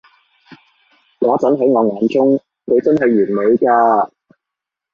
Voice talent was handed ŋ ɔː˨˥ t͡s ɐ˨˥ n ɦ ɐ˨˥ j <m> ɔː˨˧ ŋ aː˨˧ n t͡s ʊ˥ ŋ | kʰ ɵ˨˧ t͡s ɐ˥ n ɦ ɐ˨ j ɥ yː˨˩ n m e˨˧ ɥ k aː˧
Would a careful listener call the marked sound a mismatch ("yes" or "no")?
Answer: yes